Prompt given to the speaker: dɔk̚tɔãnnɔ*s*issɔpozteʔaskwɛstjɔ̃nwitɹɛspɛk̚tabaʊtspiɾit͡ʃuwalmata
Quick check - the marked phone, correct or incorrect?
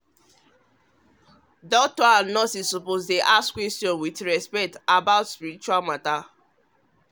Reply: correct